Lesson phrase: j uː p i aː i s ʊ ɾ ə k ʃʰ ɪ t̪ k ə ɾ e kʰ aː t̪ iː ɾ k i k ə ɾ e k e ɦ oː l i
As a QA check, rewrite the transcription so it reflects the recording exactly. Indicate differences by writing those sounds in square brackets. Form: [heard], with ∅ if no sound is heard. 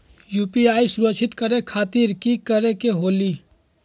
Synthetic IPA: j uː p i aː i s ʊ ɾ ə k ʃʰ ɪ t̪ k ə ɾ e kʰ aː t̪ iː ɾ k i k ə ɾ e k e ɦ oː l i